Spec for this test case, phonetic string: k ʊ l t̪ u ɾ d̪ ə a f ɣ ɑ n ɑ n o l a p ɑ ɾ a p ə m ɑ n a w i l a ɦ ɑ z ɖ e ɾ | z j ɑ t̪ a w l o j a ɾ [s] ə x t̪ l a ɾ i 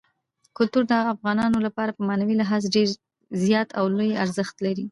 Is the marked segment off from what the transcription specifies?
yes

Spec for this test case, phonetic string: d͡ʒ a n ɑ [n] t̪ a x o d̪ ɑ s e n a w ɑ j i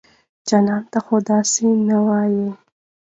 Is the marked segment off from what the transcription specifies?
no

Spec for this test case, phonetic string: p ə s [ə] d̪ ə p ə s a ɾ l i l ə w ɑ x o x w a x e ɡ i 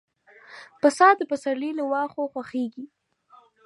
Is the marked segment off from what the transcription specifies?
yes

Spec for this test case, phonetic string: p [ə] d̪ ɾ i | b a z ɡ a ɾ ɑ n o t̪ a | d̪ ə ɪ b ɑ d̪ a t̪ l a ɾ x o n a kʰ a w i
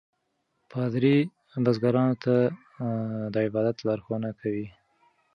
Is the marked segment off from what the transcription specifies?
yes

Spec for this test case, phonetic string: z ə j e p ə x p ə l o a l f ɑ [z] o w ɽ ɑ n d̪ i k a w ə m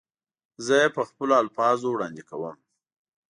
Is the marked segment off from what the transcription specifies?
no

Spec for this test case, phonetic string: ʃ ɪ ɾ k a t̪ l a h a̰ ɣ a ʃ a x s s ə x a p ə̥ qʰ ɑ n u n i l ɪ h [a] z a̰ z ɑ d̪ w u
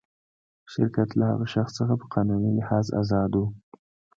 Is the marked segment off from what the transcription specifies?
yes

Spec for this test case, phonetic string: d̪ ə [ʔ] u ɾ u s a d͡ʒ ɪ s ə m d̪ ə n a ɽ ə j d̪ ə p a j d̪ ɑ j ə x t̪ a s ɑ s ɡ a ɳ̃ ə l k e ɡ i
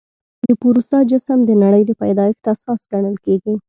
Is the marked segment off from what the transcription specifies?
yes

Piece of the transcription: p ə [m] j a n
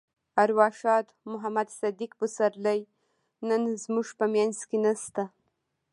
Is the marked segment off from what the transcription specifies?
no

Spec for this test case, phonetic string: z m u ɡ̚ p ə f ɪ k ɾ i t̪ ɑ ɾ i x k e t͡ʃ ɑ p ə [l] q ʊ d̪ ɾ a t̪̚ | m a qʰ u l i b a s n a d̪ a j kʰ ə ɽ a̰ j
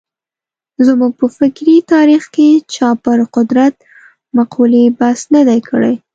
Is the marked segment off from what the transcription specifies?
yes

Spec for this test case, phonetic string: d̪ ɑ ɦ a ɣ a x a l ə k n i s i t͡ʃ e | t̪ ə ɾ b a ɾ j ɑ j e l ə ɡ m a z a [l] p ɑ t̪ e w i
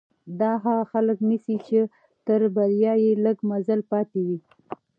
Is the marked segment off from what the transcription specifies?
no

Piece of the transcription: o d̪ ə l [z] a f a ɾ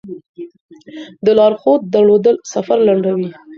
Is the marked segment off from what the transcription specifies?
yes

